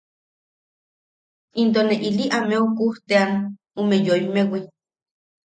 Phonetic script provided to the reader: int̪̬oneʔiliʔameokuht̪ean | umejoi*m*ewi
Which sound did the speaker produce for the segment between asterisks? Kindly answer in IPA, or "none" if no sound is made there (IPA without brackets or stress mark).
m